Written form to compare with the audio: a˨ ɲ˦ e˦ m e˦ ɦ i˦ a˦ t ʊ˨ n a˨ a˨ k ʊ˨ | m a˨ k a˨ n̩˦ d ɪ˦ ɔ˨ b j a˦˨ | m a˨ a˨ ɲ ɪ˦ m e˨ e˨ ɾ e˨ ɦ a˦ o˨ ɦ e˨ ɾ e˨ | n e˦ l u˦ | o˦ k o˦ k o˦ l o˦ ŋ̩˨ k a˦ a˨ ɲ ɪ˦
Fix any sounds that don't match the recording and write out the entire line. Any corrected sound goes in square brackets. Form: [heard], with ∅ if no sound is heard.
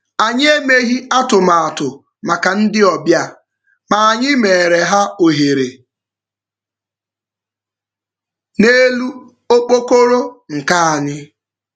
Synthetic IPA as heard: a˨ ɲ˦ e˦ m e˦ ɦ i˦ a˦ t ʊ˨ [m] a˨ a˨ [t] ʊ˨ | m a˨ k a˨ n̩˦ d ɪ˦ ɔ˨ b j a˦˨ | m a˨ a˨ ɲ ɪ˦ m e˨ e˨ ɾ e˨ ɦ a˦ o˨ ɦ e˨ ɾ e˨ | n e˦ l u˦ | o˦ [k͡p] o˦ k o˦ [ɾ] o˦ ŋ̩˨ k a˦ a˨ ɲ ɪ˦